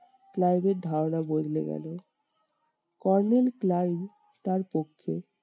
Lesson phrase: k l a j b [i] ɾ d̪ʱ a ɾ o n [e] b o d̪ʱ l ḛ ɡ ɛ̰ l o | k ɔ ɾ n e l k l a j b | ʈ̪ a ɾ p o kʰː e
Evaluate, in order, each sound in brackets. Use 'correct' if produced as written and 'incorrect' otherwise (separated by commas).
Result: incorrect, incorrect